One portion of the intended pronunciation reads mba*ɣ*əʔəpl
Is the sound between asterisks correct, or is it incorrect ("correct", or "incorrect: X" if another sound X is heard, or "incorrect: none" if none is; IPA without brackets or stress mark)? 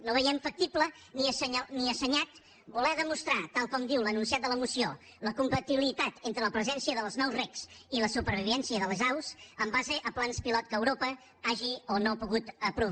incorrect: z